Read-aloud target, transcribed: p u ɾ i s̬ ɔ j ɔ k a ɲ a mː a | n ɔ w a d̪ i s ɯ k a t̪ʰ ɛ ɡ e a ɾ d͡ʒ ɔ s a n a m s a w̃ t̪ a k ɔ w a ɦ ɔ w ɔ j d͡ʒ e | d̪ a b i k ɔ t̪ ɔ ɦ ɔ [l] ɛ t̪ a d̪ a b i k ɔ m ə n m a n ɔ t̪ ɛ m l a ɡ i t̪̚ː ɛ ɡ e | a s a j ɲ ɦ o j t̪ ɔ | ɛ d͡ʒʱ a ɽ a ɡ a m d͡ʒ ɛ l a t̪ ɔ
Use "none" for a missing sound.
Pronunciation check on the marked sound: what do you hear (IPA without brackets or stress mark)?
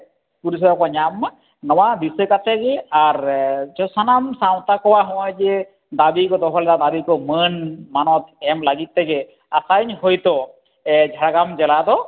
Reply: l